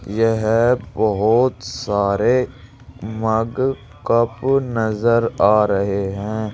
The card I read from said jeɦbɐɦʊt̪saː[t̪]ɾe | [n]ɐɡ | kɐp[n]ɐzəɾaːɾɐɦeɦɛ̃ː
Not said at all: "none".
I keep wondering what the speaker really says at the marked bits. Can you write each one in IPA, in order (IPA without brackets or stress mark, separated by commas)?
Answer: none, m, n